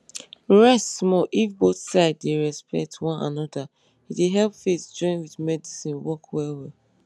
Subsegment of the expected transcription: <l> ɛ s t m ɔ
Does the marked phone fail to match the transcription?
yes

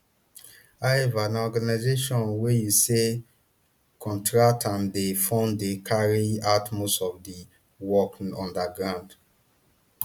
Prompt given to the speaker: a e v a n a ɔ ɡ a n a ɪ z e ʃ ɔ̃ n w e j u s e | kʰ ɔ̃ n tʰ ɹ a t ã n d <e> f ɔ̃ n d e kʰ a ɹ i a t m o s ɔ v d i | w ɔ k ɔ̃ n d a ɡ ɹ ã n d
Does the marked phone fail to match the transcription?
no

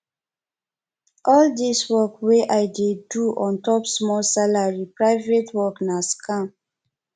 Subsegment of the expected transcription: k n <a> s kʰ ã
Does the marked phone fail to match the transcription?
no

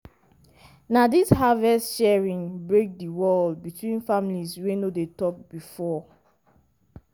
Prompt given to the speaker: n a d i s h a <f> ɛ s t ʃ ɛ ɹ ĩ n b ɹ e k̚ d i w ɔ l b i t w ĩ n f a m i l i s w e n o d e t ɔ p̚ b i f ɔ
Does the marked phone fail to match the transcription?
yes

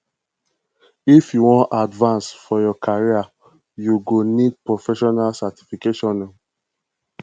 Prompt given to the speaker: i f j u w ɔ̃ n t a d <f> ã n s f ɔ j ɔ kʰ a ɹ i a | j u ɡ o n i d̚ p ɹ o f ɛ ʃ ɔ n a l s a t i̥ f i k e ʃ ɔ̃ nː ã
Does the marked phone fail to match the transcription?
yes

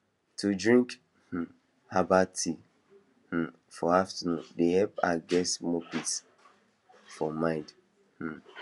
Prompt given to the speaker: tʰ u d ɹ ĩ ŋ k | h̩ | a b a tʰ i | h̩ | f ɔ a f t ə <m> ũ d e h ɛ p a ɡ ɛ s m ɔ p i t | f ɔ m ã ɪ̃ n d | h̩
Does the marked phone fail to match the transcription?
yes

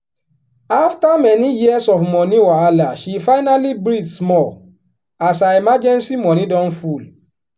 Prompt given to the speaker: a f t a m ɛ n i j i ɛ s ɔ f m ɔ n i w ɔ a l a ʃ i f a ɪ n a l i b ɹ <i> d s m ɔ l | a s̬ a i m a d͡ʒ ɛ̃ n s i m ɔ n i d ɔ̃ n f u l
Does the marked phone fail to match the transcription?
no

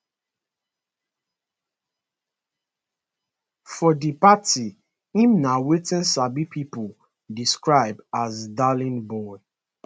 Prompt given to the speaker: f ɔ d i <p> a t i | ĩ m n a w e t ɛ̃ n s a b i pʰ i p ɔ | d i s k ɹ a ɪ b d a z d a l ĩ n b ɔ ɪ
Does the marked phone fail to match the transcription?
no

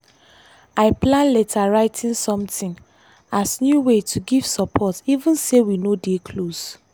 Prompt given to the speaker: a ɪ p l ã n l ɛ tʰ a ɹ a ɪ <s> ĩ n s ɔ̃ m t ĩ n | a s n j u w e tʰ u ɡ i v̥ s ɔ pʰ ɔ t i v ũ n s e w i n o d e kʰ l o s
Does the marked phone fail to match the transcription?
yes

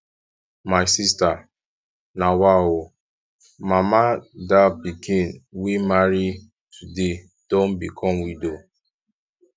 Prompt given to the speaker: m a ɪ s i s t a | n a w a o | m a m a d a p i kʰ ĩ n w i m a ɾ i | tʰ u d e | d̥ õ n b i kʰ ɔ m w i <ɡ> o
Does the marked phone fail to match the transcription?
yes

